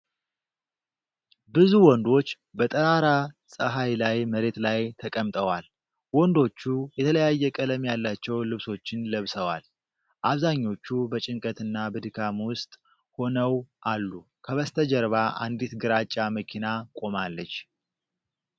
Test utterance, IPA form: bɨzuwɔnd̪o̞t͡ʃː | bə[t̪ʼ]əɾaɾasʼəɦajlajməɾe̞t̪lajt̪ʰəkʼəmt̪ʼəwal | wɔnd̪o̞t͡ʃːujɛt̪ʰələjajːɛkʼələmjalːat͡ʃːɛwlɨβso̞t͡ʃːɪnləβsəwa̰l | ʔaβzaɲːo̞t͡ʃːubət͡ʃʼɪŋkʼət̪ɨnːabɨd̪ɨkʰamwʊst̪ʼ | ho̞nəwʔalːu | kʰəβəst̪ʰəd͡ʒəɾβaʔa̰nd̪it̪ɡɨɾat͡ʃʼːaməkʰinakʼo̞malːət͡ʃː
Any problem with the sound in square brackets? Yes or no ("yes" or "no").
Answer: no